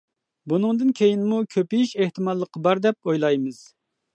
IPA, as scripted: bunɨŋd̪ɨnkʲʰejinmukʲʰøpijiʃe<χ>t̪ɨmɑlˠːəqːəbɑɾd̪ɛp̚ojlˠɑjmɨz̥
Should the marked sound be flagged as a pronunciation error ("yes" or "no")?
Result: yes